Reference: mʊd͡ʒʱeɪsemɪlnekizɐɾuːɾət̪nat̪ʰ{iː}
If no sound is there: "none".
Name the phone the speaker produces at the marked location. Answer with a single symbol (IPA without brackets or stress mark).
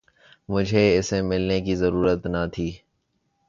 iː